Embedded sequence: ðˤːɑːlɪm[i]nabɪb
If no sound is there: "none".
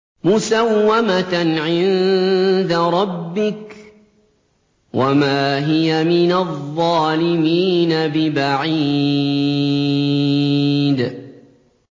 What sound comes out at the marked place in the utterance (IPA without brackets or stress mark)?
iː